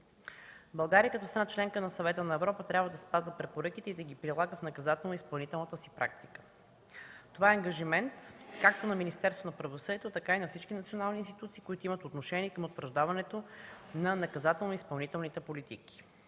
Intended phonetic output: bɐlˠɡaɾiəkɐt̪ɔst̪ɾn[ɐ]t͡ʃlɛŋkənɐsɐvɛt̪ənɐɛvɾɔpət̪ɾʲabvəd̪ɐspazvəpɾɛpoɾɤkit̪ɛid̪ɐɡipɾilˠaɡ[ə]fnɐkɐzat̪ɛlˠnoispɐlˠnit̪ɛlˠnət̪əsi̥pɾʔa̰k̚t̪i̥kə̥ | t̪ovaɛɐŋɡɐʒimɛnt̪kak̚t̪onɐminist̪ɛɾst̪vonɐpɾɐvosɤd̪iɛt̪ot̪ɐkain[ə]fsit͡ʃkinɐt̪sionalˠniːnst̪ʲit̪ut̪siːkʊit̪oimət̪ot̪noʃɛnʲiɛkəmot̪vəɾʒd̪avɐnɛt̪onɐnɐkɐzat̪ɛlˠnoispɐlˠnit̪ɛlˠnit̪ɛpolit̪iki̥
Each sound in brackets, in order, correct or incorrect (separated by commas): incorrect, correct, incorrect